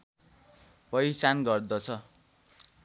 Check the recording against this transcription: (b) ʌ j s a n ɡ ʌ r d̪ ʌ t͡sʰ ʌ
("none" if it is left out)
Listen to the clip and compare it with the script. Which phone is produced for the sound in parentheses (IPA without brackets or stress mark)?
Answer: p